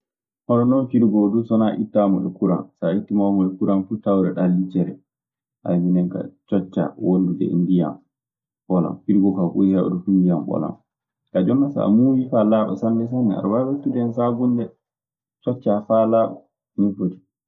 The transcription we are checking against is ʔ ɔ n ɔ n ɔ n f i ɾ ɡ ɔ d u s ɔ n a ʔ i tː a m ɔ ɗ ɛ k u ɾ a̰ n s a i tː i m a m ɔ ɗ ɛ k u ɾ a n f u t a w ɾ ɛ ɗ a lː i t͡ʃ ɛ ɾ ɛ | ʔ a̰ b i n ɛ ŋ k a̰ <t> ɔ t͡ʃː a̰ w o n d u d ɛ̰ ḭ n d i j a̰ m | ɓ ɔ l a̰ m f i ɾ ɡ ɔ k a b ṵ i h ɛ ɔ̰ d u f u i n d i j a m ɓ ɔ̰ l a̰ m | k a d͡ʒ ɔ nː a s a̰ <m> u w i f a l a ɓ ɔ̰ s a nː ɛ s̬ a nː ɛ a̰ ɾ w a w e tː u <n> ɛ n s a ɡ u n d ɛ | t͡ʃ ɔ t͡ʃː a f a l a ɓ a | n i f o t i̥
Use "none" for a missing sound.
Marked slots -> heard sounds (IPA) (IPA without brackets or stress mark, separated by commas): t͡ʃ, m, d